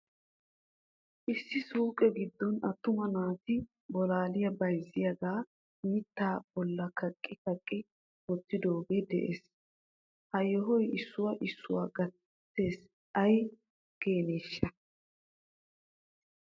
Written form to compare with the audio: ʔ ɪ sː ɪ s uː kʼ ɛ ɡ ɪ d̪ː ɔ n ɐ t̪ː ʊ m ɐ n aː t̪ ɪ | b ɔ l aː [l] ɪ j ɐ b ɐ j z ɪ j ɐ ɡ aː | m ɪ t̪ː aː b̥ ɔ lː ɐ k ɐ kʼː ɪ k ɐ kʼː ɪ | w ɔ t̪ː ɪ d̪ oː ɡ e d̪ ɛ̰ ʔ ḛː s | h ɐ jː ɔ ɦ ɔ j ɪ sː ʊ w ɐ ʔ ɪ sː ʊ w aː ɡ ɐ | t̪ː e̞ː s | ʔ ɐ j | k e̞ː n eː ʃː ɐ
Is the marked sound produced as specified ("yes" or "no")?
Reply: yes